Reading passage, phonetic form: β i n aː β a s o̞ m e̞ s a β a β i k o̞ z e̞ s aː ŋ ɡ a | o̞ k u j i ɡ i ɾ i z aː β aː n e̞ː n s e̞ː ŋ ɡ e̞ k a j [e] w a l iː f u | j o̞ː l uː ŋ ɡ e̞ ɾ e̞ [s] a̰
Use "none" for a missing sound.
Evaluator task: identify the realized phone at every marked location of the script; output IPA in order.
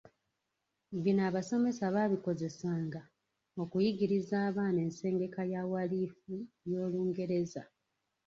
a, z

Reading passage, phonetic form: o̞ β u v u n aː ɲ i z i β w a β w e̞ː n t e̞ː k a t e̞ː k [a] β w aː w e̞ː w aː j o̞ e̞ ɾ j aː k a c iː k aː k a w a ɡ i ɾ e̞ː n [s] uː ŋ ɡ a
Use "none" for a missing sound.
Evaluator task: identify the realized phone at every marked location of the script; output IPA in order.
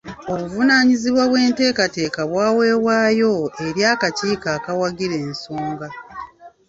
a, s

